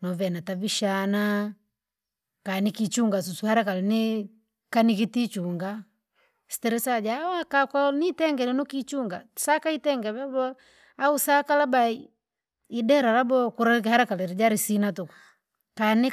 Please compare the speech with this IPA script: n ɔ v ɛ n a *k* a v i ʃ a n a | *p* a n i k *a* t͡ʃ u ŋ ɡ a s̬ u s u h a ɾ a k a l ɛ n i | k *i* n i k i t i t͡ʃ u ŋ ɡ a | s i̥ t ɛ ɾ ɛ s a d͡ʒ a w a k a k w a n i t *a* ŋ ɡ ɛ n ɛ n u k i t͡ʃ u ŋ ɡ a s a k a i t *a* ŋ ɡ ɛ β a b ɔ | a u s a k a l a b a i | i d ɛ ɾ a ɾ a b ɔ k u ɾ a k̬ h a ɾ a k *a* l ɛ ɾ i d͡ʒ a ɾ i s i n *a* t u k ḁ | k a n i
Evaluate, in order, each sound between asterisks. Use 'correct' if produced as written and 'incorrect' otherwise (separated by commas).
incorrect, incorrect, incorrect, incorrect, incorrect, incorrect, correct, correct